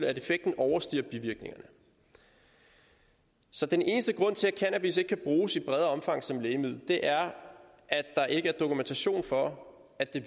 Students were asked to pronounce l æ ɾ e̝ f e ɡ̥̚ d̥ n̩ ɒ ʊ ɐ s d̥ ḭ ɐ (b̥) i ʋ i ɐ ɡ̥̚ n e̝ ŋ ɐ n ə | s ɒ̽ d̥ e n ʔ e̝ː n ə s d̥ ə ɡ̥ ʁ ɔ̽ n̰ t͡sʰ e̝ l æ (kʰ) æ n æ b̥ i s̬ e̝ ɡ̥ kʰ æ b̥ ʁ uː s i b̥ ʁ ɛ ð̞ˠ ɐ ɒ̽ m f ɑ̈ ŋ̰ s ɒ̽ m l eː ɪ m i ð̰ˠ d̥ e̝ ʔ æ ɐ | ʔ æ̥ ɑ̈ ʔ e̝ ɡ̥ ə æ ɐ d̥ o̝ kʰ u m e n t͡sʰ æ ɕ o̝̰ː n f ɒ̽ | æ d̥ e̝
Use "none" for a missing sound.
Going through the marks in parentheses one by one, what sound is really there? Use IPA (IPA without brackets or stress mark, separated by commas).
b̥, kʰ